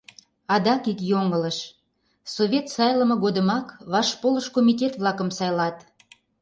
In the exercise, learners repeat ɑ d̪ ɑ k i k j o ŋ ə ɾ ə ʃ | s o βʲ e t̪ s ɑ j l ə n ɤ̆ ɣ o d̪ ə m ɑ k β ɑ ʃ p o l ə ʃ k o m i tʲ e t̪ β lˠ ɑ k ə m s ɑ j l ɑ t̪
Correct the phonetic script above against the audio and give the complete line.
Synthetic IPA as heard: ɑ d̪ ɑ k i k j o ŋ ə l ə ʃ | s o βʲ e t̪ s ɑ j l ə m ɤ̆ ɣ o d̪ ə m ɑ k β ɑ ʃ p o l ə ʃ k o m i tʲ e t̪ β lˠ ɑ k ə m s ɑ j l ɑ t̪

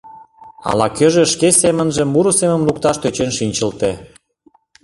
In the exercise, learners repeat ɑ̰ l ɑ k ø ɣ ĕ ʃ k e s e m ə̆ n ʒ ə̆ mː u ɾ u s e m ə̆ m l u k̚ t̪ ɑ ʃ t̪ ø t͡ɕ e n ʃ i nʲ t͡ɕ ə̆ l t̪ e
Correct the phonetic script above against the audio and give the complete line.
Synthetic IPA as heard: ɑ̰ l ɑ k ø ʒ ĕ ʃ k e s e m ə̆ n ʒ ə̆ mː u ɾ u s e m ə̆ m l u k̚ t̪ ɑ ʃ t̪ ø t͡ɕ e n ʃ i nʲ t͡ɕ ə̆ l t̪ e

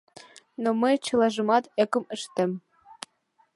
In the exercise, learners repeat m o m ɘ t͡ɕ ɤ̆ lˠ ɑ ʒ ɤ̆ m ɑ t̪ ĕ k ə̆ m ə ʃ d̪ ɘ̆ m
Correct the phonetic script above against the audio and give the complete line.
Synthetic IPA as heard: n o m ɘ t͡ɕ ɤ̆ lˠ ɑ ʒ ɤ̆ m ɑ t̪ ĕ k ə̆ m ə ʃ t̪ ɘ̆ m

